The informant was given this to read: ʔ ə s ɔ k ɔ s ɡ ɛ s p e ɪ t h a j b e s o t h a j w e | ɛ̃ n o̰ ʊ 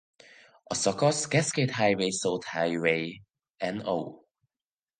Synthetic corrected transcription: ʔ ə s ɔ k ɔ s ɡ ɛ s k e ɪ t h a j w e s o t h a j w e | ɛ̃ n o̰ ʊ